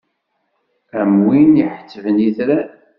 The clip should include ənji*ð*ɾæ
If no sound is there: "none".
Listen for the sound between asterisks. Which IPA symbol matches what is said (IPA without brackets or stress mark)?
θ